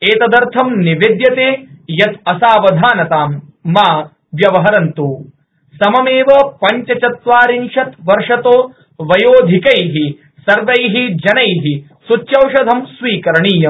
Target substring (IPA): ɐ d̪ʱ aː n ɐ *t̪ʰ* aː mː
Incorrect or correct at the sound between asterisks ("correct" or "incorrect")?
incorrect